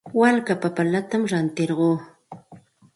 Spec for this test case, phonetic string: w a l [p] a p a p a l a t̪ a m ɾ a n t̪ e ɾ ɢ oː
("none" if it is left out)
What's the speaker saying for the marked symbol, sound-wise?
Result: k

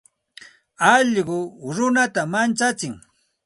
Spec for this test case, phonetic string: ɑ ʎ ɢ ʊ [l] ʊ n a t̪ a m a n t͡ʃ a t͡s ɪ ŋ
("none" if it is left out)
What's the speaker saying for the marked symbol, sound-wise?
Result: ɾ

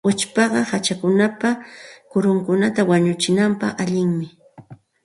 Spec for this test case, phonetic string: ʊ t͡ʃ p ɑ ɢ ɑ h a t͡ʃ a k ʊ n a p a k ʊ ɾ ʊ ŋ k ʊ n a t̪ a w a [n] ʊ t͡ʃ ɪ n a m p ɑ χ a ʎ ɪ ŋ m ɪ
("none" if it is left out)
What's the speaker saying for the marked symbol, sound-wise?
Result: ɲ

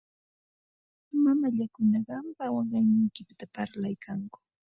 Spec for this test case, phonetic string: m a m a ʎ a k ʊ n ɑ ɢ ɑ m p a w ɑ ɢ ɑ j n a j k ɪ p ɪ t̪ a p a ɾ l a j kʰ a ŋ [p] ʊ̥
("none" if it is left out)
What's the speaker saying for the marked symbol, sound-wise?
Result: k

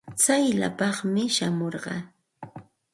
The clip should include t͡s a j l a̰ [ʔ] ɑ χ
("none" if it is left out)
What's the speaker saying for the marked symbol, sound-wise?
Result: p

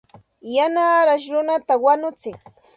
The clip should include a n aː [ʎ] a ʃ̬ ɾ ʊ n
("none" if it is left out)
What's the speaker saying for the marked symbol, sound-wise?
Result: ɾ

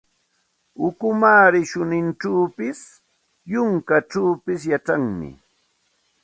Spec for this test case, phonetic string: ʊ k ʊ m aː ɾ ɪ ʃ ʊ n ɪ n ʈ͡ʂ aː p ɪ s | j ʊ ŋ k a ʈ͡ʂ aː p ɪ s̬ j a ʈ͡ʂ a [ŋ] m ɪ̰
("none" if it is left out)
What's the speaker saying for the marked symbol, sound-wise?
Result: ŋ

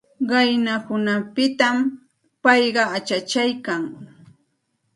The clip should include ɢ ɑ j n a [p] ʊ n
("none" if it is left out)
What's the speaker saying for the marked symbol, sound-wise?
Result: k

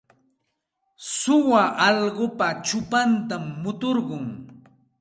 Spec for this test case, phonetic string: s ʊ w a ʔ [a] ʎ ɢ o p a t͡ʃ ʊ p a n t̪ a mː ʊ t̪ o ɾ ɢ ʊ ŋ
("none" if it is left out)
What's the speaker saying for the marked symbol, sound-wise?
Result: ɑ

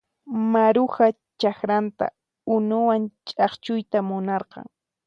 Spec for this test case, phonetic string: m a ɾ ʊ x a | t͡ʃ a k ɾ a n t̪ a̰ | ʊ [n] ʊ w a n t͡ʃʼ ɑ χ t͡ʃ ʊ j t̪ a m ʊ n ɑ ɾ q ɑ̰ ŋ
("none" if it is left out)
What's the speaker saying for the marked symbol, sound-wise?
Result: n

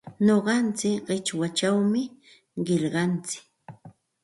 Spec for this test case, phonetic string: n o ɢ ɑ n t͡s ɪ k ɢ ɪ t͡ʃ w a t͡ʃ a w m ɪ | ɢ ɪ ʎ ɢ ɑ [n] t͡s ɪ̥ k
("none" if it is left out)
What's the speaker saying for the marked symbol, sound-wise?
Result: n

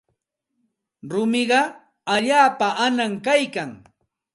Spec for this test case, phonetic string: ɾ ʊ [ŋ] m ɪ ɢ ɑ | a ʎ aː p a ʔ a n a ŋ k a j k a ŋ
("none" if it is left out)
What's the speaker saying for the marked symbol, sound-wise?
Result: none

